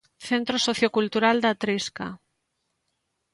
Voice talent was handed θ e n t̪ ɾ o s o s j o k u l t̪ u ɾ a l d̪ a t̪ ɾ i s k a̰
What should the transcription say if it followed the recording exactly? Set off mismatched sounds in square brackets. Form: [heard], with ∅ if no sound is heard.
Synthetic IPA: θ e n t̪ ɾ o s o [θ] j o k u l t̪ u ɾ a l d̪ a t̪ ɾ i s k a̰